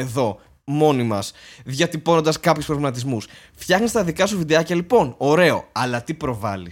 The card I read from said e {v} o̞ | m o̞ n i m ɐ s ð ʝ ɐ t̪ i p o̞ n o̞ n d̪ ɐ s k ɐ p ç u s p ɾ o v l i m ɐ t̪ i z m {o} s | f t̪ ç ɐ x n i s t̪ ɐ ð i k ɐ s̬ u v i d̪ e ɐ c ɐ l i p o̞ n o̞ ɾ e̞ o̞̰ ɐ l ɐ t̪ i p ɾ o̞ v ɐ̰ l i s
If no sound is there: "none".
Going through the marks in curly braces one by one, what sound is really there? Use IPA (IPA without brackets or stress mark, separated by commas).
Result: ð, u